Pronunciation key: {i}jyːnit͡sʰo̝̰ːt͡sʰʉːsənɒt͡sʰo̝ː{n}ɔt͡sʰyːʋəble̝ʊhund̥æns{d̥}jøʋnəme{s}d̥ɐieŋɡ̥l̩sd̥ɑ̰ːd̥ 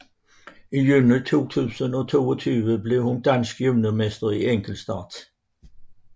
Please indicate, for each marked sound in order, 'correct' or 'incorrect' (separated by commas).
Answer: correct, incorrect, incorrect, correct